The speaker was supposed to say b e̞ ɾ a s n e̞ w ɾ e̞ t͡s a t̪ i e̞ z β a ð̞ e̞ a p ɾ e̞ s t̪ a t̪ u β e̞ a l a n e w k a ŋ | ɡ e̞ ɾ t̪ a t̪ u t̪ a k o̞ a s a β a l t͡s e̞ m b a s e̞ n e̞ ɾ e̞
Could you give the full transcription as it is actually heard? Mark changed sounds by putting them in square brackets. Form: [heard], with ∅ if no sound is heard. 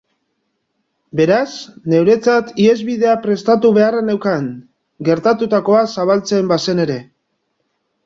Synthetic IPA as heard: b e̞ ɾ a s n e̞ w ɾ e̞ t͡s a t̪ i e̞ z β [i] ð̞ e̞ a p ɾ e̞ s t̪ a t̪ u β e̞ a [r] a n e w k a ŋ | ɡ e̞ ɾ t̪ a t̪ u t̪ a k o̞ a s a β a l t͡s e̞ m b a s e̞ n e̞ ɾ e̞